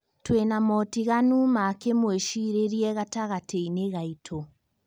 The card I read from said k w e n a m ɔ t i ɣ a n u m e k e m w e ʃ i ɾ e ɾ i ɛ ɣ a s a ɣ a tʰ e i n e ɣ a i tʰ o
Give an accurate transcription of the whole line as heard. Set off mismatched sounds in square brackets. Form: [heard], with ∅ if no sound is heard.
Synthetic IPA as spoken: [t] w e n a m ɔ t i ɣ a n u m [a] k e m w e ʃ i ɾ e ɾ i ɛ ɣ a [t] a ɣ a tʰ e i n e ɣ a i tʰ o